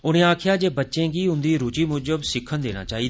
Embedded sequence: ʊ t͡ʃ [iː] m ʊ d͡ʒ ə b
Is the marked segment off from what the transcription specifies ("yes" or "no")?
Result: no